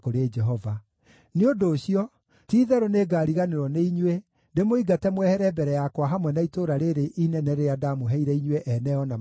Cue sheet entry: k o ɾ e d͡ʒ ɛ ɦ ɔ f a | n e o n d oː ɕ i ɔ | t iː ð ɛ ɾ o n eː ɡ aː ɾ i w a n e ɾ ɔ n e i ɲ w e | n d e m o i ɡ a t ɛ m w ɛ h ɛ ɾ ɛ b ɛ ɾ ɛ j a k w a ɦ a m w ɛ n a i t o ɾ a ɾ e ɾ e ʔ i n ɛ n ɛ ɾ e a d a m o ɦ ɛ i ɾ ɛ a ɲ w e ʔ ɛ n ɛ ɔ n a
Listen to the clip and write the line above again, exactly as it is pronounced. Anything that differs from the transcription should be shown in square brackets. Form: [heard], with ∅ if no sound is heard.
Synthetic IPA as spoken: k o ɾ e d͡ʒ ɛ ɦ ɔ [v] a | n e o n d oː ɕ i ɔ | t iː ð ɛ ɾ o n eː ɡ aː ɾ i [ɣ] a n e ɾ ɔ n e i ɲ w e | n d e m o i ɡ a t ɛ m w ɛ h ɛ ɾ ɛ b ɛ ɾ ɛ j a k w a ɦ a m w ɛ n a i t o ɾ a ɾ e ɾ e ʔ i n ɛ n ɛ ɾ e a d a m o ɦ ɛ i ɾ ɛ [i] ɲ w e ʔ ɛ n ɛ ɔ n a